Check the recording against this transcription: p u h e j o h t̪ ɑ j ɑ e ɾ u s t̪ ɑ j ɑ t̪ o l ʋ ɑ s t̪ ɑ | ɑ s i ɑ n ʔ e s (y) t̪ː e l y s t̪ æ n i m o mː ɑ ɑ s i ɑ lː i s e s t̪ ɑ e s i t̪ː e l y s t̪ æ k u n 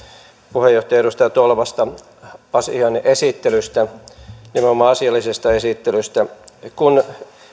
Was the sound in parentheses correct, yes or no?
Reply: no